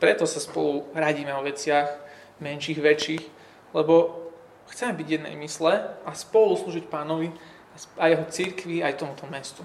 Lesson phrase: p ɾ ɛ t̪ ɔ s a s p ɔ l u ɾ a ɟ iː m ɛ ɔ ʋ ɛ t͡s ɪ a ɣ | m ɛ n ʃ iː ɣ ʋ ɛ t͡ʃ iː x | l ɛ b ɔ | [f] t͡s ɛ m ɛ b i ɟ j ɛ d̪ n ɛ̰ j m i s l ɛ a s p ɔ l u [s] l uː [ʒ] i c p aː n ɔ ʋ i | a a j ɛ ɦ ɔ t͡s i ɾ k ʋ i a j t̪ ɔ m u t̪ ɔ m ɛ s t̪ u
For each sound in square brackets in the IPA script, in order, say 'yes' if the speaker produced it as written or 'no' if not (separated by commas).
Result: no, yes, yes